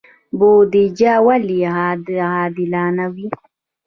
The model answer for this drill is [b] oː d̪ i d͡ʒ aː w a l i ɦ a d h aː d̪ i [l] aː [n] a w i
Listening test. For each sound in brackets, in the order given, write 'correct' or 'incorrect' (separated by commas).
correct, correct, correct